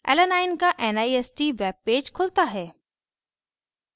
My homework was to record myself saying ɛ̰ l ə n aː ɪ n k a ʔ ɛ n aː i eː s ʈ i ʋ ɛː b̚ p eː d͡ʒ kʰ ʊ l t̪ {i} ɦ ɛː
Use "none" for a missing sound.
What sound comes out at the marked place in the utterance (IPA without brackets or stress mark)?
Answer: a